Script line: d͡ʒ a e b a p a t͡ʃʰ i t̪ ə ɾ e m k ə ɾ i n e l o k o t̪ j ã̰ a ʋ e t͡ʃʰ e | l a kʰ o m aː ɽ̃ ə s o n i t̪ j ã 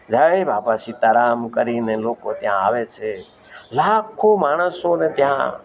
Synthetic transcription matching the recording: d͡ʒ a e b a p a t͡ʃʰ i t̪ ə ɾ a m k ə ɾ i n e l o k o t̪ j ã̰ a ʋ e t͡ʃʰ e | l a kʰ o m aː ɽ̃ ə s o n e t̪ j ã